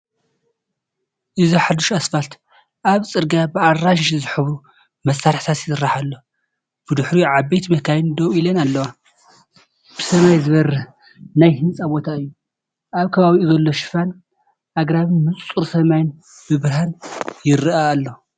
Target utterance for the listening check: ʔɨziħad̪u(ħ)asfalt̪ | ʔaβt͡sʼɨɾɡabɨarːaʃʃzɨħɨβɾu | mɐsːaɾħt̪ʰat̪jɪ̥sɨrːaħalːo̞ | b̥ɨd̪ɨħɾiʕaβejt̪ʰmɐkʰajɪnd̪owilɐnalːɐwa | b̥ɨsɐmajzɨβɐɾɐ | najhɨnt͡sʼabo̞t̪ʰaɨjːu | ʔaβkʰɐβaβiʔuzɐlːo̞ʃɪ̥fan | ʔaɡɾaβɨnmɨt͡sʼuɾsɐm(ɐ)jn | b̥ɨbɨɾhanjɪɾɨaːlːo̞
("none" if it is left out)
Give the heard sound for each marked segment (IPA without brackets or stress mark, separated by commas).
ʃ, a